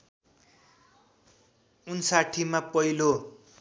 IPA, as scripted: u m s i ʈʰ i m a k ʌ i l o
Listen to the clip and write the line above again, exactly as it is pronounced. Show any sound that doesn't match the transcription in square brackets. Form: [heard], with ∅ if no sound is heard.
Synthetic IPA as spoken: u [n] s [a] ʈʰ i m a [p] ʌ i l o